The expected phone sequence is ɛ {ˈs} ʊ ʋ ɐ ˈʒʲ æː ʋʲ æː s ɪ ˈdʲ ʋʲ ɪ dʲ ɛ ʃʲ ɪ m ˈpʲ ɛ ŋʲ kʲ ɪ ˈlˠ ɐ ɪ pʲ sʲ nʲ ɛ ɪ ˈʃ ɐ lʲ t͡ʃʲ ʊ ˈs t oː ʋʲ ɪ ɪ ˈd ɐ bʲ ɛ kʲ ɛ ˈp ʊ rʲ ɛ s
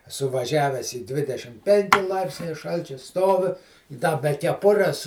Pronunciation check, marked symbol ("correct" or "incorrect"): correct